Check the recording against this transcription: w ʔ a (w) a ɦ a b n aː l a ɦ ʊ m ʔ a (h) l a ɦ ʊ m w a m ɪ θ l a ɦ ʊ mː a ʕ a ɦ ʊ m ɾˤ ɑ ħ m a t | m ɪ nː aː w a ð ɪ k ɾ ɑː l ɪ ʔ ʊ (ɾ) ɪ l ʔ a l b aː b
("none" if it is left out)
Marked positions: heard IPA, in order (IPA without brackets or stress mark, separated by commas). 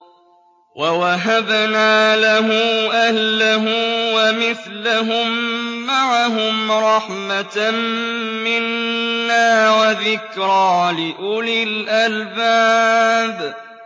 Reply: w, h, l